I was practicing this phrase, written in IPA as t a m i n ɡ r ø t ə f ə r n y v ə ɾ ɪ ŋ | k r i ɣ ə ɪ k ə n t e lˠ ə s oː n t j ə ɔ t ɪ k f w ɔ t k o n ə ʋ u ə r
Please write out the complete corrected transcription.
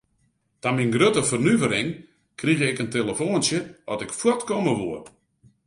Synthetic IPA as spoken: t a m i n ɡ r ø t ə f ə r n y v ə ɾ ɪ ŋ | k r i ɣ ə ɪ k ə n t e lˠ ə f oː n s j ə ɔ t ɪ k f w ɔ t k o m ə ʋ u ə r